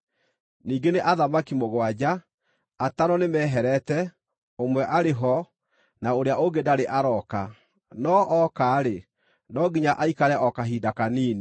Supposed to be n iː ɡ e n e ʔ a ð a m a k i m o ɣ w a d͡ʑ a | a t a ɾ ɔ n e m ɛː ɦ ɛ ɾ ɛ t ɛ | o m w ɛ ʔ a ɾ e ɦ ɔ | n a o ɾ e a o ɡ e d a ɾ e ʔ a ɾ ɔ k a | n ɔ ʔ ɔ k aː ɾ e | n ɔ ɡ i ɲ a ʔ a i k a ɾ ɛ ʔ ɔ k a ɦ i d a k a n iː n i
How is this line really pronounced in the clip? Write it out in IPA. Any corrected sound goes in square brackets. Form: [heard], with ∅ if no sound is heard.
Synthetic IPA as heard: n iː ɡ e n e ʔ a ð a m a k i m o ɣ w a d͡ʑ a | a t a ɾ ɔ n e m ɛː ɦ ɛ ɾ ɛ t ɛ | o m w ɛ ʔ a ɾ e ɦ ɔ | n a o ɾ e a o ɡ e d a ɾ e ʔ a ɾ ɔ k a | n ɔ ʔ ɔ k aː ɾ e | n ɔ ɡ i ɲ a ʔ a i k a ɾ ɛ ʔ ɔ k a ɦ i d a k a n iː n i

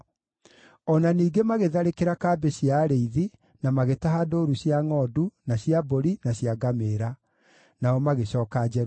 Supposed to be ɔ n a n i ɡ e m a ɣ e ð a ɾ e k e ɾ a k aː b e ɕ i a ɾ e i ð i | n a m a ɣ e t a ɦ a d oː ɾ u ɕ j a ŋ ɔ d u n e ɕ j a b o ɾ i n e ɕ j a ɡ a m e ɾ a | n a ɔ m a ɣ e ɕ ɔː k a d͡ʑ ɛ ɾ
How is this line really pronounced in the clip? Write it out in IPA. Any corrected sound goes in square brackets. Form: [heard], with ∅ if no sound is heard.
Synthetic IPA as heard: ɔ n a n [iː] ɡ e m a ɣ e ð a ɾ e k e ɾ a k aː b e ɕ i a ɾ e i ð i | n a m a ɣ e t a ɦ a d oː ɾ u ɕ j a ŋ ɔ d u n [a] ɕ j a b o ɾ i n [a] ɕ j a ɡ a m e ɾ a | n a ɔ m a ɣ e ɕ ɔː k a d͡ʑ ɛ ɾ

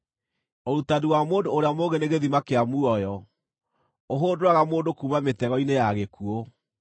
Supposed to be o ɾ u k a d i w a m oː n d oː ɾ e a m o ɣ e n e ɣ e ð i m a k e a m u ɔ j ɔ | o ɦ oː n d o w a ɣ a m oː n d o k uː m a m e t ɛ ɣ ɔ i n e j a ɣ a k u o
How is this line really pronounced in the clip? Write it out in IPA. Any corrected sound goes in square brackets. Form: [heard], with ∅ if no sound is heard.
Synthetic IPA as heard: o ɾ u [t] a d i w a m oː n d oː ɾ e a m o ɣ e n e ɣ e ð i m a k e a m u ɔ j ɔ | o ɦ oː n d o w a ɣ a m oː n d o k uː m a m e t ɛ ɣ ɔ i n e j a ɣ [e] k u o

